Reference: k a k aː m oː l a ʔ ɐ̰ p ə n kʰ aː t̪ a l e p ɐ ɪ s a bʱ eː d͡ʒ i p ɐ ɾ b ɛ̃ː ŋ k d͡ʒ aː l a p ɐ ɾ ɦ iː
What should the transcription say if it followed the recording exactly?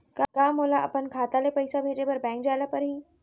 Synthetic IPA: k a k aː m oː l a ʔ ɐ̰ p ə n kʰ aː t̪ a l e p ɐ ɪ s a bʱ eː d͡ʒ e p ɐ ɾ b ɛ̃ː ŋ k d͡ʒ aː l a p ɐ ɾ ɦ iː